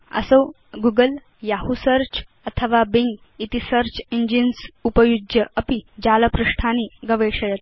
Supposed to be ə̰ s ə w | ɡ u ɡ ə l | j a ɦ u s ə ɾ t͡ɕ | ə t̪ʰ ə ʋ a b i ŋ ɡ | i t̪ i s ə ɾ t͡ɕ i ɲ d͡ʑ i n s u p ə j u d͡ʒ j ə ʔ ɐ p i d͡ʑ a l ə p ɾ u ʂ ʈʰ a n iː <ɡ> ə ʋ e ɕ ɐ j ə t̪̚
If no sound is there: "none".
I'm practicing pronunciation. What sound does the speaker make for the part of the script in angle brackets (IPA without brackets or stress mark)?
ɡ